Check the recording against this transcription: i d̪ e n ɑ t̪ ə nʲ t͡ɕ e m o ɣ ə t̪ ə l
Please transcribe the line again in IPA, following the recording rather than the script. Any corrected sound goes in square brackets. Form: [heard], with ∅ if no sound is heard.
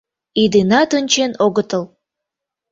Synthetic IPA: i d̪ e n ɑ t̪ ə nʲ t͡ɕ e [n] o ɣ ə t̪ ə l